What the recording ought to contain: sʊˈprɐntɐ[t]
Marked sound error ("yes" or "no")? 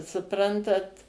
no